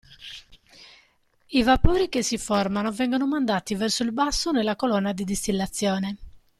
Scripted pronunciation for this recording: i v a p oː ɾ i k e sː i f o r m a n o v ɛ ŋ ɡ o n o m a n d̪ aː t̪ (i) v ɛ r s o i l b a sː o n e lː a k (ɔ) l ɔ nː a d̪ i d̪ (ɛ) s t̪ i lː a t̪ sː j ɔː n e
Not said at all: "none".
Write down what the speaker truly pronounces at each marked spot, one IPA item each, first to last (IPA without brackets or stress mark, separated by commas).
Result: i, o, i